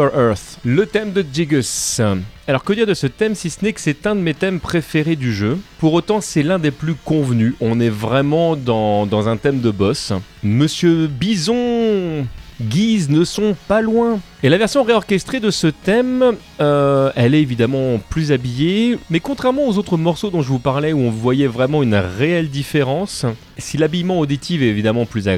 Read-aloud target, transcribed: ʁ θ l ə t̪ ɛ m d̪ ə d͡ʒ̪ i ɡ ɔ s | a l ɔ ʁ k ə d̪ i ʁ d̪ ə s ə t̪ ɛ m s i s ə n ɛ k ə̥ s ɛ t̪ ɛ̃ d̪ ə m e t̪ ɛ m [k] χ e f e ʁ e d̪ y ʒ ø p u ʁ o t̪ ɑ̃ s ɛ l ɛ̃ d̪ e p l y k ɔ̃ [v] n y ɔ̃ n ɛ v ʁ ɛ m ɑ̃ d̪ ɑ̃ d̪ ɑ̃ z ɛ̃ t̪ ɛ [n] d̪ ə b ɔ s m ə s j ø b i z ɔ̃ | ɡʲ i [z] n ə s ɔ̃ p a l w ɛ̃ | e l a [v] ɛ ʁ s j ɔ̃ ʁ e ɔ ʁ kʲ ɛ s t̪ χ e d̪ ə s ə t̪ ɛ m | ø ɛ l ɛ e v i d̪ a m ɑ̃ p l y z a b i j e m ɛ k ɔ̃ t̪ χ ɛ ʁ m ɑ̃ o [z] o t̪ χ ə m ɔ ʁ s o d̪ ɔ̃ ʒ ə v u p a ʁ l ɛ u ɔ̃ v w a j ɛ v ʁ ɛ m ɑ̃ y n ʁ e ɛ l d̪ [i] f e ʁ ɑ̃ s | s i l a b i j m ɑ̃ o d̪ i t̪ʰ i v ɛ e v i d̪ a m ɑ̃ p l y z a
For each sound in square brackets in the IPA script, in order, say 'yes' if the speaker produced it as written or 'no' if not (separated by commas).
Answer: no, yes, no, yes, yes, yes, yes